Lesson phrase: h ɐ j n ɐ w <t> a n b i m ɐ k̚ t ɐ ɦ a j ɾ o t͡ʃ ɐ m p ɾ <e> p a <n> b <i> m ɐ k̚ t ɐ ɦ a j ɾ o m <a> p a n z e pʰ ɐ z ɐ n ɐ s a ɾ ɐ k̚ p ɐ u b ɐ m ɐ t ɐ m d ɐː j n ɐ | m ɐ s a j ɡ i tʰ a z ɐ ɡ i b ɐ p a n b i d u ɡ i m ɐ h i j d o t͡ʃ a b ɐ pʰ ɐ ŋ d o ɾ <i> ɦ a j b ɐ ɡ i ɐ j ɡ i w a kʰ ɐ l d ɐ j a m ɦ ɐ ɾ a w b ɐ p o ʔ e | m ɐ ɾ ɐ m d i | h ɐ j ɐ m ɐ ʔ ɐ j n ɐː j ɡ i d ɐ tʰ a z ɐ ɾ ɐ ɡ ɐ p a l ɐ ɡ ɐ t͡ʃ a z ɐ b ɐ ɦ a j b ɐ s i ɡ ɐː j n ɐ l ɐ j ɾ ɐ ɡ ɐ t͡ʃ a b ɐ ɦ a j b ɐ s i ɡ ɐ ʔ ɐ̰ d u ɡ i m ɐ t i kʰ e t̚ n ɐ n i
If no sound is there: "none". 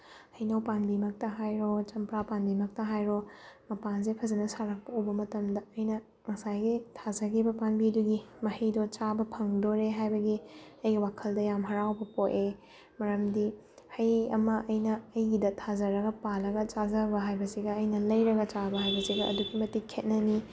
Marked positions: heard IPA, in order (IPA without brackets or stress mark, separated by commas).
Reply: p, a, n, i, ɐ, e